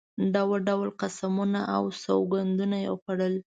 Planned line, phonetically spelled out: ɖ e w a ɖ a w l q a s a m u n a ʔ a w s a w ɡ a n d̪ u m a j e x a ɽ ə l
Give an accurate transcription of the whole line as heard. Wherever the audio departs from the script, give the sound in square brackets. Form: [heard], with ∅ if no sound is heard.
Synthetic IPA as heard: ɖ [a] w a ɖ a w l q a s a m u n a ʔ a w s a w ɡ a n d̪ u [n] a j e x a ɽ ə l